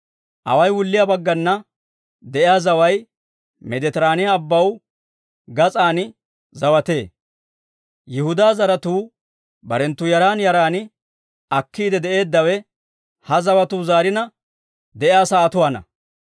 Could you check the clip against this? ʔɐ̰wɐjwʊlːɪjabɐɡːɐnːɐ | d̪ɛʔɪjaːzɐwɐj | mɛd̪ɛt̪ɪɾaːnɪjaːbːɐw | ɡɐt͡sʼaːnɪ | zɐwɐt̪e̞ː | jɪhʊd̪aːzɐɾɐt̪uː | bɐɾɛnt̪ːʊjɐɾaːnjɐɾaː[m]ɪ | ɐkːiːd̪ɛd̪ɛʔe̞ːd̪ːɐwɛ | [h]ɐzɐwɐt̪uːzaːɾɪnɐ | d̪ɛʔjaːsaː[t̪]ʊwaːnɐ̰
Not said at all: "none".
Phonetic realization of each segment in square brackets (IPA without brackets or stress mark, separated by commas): n, h, t̪